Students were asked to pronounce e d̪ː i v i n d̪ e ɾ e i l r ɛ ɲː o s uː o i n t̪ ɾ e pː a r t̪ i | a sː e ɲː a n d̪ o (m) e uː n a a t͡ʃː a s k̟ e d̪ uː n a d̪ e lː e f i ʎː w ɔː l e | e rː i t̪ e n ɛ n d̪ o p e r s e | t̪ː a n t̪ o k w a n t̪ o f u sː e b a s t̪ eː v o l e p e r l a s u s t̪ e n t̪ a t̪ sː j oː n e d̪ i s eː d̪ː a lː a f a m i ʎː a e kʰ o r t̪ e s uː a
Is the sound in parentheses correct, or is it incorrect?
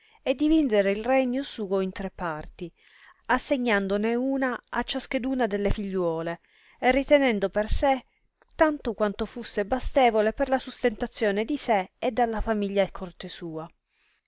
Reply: incorrect: n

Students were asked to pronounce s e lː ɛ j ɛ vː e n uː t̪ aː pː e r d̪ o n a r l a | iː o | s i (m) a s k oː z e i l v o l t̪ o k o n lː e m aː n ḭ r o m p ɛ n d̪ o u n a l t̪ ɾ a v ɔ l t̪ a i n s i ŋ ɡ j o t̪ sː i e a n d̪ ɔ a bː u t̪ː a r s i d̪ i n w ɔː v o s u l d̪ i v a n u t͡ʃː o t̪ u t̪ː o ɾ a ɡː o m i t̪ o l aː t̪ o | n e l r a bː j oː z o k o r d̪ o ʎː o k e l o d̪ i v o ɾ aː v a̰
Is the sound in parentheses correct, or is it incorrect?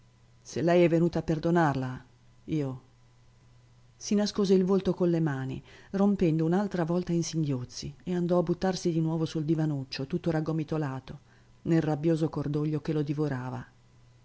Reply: incorrect: n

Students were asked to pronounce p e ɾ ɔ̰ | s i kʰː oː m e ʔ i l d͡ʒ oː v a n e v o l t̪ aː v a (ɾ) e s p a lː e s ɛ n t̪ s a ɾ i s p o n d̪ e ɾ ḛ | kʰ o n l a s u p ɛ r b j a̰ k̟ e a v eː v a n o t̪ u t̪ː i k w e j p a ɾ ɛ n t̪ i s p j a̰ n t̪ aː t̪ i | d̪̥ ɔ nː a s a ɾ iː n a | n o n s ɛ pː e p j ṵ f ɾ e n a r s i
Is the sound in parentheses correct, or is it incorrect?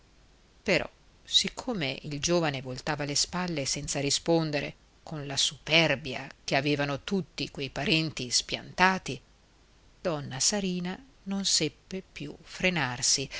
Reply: incorrect: l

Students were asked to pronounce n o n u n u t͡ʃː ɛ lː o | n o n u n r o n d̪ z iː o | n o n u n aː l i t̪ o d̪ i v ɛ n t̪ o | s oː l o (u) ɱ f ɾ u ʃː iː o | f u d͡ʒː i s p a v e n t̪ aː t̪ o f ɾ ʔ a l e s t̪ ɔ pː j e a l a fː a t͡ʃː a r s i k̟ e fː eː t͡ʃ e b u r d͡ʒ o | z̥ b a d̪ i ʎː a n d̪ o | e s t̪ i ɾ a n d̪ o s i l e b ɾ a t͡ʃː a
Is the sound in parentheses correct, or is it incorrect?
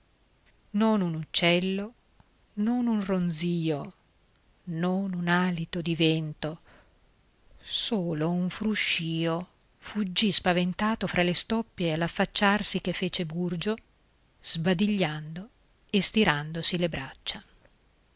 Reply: correct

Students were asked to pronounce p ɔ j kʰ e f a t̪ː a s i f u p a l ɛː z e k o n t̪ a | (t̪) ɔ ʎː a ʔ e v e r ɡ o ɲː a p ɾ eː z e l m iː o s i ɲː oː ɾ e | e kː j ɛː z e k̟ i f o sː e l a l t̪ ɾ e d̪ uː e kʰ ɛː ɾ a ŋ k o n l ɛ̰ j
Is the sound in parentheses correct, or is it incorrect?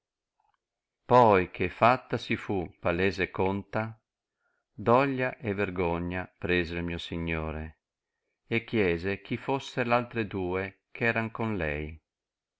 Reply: incorrect: d̪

